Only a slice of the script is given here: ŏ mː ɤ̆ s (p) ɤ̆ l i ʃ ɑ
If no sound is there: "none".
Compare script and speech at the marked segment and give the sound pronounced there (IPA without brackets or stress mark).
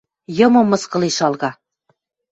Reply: k